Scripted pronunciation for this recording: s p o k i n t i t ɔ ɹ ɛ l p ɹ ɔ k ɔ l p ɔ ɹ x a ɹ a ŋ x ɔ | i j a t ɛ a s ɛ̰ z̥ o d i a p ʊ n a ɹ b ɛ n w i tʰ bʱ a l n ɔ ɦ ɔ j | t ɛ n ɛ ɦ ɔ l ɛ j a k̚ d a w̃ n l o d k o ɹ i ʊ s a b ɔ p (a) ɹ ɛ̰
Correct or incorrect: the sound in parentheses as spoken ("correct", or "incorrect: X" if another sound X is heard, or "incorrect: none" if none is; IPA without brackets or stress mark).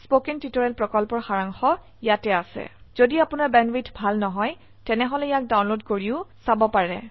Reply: correct